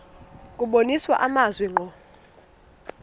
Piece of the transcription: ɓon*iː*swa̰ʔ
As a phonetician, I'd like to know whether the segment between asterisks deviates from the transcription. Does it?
yes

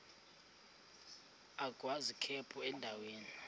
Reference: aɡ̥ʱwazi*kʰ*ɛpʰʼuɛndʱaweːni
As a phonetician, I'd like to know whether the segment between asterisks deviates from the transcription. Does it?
no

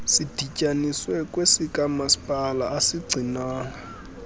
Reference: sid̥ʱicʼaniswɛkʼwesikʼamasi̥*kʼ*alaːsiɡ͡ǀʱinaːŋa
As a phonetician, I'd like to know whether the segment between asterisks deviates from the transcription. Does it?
yes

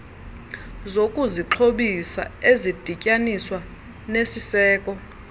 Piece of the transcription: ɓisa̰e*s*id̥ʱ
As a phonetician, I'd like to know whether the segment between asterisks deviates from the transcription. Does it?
yes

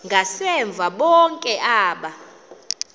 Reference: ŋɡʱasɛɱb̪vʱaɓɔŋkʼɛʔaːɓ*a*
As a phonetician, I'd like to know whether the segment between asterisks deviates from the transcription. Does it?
no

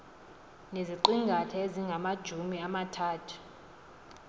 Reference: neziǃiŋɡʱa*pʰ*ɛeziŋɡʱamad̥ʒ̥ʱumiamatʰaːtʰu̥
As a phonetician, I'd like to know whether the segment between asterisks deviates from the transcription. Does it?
yes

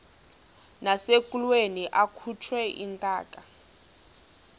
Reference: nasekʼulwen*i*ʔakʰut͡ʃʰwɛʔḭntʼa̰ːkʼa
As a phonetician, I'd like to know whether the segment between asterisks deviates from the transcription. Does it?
no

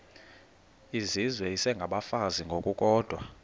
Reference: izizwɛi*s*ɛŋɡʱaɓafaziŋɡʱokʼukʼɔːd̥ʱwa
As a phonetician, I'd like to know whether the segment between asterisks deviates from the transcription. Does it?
no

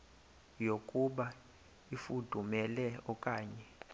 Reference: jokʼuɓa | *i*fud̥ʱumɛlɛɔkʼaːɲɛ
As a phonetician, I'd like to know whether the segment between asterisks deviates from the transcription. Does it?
no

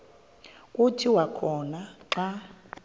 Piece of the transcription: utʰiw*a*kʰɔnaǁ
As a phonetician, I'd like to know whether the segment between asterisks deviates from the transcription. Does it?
no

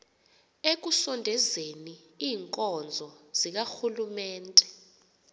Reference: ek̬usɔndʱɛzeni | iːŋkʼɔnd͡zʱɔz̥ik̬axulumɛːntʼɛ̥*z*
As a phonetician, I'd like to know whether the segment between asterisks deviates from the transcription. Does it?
yes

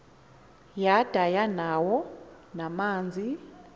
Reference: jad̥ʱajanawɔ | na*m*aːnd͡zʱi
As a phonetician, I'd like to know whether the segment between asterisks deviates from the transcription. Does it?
no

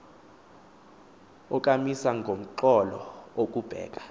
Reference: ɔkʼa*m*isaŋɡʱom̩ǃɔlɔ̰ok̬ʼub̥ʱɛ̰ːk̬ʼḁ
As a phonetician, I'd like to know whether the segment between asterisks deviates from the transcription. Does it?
no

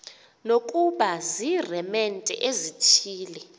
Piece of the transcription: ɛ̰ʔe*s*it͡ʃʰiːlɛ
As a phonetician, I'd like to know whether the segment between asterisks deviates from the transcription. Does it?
yes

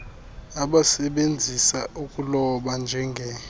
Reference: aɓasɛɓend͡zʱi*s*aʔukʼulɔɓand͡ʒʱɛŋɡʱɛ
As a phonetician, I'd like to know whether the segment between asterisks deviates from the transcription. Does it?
no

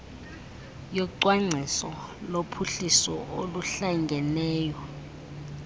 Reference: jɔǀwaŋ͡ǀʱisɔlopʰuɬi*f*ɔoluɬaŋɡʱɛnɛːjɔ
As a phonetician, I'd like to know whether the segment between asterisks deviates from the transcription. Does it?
yes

